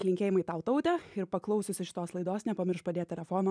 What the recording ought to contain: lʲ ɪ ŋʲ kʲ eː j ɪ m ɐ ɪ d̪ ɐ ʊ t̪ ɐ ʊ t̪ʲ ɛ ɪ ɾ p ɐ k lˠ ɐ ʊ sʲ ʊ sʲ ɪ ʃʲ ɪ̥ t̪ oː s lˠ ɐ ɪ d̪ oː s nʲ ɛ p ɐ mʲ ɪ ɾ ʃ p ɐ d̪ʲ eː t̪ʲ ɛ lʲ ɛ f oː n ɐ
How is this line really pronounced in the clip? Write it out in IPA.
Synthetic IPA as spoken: lʲ ɪ ŋʲ kʲ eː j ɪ m ɐ ɪ t̪ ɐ ʊ t̪ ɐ ʊ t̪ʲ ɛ ɪ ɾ p ɐ k lˠ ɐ ʊ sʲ ʊ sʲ ɪ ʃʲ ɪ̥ t̪ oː s lˠ ɐ ɪ d̪ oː s nʲ ɛ p ɐ mʲ ɪ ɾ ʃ p ɐ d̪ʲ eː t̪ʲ ɛ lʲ ɛ f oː n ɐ